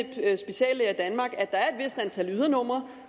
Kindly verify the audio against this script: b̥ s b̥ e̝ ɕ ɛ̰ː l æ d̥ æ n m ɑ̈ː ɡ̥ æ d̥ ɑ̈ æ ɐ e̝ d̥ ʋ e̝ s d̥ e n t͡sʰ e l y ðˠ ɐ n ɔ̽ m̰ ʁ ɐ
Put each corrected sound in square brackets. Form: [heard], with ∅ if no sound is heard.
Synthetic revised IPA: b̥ s b̥ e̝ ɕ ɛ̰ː l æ d̥ æ n m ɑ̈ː ɡ̥ æ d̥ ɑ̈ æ ɐ e̝ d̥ ʋ e̝ s d̥ [æ] n t͡sʰ [æ] l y ðˠ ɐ n ɔ̽ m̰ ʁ ɐ